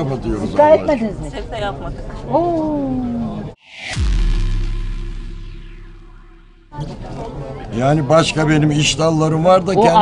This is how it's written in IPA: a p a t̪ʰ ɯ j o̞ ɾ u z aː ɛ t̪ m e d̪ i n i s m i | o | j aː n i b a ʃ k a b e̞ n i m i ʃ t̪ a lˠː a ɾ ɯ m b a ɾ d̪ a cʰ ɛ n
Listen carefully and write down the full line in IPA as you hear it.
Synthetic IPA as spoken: a p a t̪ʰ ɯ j o̞ ɾ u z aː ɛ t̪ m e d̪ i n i z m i | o | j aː n i b a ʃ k a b e̞ n i m i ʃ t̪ a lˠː a ɾ ɯ m v a ɾ d̪ a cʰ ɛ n